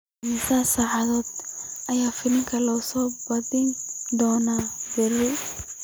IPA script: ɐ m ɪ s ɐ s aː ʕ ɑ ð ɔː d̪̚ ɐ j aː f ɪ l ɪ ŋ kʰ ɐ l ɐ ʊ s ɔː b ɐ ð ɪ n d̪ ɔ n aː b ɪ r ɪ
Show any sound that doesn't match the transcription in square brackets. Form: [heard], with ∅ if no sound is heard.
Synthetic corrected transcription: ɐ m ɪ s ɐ s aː ʕ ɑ ð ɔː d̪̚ ɐ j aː f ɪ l ɪ ŋ kʰ ɐ l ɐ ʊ s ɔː b ɐ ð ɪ n d̪ [ɔː] n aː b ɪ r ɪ